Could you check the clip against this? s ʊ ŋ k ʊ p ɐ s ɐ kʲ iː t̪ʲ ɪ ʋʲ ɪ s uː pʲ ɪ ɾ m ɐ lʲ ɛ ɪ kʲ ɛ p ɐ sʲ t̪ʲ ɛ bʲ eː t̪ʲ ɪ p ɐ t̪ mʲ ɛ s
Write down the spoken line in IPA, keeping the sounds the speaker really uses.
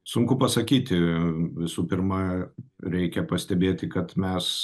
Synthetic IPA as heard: s ʊ ŋ k ʊ p ɐ s ɐ kʲ iː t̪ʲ ɪ ʋʲ ɪ s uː pʲ ɪ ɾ m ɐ ɾʲ ɛ ɪ kʲ ɛ p ɐ sʲ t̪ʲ ɛ bʲ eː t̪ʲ ɪ k ɐ t̪ mʲ ɛ s